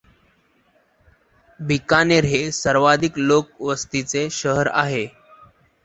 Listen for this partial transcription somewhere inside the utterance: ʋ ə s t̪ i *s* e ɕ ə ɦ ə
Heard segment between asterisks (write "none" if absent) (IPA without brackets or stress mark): t͡s